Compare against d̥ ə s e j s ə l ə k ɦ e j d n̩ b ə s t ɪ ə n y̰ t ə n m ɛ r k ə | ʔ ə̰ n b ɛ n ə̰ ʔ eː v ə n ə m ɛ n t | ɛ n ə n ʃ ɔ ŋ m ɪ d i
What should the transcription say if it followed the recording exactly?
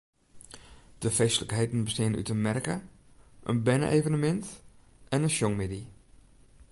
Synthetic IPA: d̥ ə f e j s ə l ə k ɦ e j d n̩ b ə s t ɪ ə n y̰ t ə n m ɛ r k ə | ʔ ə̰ n b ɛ n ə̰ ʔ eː v ə n ə m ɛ n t | ɛ n ə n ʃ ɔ ŋ m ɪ d i